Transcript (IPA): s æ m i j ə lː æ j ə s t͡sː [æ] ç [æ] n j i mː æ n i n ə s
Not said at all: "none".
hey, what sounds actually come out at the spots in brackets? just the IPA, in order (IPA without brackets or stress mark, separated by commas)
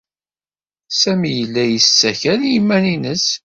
æ, æ